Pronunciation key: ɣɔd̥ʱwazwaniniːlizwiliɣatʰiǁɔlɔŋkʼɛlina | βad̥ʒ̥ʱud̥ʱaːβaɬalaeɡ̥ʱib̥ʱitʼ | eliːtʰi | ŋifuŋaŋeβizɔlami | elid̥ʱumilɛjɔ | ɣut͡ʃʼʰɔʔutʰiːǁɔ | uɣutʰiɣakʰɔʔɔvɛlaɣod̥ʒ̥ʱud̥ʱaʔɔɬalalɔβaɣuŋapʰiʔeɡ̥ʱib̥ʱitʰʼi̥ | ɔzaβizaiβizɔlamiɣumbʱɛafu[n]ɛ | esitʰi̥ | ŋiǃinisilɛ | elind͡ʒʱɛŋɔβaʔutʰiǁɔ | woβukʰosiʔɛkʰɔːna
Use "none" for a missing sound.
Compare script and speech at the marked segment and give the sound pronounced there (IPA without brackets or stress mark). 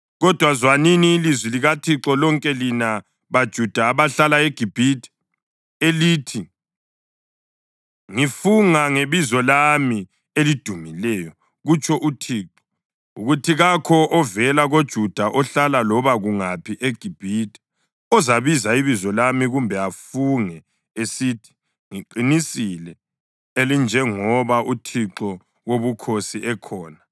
ŋ